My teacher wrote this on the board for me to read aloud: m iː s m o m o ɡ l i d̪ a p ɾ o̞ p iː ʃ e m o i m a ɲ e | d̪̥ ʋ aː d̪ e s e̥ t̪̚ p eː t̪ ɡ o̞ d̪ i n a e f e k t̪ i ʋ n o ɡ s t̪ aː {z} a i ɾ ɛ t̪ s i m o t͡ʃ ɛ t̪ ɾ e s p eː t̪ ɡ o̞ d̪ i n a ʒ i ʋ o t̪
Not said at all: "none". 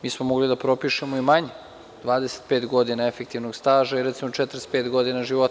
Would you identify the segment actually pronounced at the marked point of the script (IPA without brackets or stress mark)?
ʒ